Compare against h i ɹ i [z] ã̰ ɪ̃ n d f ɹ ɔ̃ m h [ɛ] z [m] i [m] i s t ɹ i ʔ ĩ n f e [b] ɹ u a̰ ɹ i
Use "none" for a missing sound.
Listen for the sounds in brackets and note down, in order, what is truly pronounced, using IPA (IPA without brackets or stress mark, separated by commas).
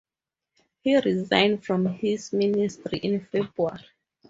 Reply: z, i, m, n, b